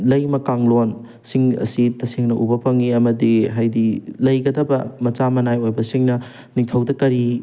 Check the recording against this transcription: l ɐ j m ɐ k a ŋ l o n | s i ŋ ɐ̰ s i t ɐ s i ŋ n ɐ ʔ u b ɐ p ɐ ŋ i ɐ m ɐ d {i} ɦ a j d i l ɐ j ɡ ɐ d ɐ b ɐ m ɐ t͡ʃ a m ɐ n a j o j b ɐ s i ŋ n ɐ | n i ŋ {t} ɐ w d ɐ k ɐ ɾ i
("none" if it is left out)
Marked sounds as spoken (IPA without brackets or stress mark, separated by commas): i, tʰ